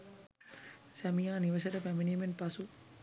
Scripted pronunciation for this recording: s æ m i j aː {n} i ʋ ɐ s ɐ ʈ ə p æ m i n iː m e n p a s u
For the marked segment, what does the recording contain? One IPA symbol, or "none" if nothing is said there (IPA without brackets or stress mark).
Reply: n